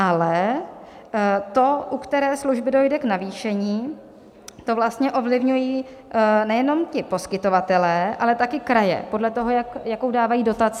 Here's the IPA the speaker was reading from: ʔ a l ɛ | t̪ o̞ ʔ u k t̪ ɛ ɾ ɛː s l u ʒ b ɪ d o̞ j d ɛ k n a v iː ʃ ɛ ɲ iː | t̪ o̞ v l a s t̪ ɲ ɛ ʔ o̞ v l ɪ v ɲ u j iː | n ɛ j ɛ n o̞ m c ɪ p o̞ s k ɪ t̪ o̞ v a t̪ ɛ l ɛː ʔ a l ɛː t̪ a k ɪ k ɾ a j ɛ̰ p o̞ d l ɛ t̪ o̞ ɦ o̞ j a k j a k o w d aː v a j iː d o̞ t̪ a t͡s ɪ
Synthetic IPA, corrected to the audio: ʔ a l ɛ | t̪ o̞ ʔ u k t̪ ɛ ɾ ɛː s l u ʒ b ɪ d o̞ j d ɛ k n a v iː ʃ ɛ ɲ iː | t̪ o̞ v l a s t̪ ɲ ɛ ʔ o̞ v l ɪ v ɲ u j iː | n ɛ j ɛ n o̞ m c ɪ p o̞ s k ɪ t̪ o̞ v a t̪ ɛ l ɛː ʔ a l ɛ t̪ a k ɪ k ɾ a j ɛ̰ p o̞ d l ɛ t̪ o̞ ɦ o̞ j a k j a k o w d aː v a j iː d o̞ t̪ a t͡s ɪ